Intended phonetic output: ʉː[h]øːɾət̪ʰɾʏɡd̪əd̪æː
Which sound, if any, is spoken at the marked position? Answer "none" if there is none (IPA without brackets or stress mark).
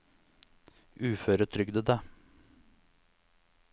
f